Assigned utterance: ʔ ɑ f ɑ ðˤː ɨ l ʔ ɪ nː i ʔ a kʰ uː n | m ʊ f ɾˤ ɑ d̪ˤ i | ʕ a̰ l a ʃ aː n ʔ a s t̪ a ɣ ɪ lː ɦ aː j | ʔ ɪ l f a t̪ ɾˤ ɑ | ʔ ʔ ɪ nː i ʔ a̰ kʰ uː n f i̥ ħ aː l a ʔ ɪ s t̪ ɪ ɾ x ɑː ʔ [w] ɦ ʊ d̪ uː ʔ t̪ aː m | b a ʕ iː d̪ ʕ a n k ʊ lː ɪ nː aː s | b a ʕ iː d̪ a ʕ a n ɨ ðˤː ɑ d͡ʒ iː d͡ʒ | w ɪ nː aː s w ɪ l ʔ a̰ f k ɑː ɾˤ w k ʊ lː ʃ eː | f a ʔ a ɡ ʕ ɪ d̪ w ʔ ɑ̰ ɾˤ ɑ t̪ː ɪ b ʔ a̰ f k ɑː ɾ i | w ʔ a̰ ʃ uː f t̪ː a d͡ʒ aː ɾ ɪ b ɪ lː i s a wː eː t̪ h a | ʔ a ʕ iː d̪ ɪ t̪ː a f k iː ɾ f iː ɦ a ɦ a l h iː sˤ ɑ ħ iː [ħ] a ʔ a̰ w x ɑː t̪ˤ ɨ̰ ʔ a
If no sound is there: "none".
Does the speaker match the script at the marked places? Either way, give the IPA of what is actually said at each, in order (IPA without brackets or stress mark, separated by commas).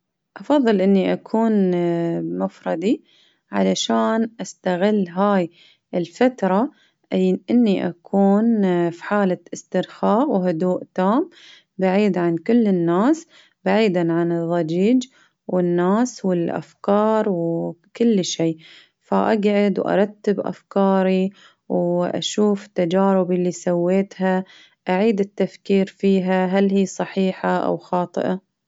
w, ħ